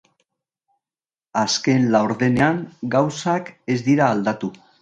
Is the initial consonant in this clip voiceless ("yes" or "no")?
yes